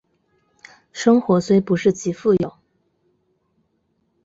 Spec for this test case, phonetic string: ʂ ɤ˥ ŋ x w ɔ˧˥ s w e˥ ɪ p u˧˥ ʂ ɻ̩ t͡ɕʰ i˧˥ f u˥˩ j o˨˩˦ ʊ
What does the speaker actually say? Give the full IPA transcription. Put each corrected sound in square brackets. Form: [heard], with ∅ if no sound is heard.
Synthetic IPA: ʂ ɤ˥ ŋ x w ɔ˧˥ s w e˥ ɪ p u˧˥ ʂ ɻ̩ [t͡ɕ] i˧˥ f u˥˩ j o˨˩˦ ʊ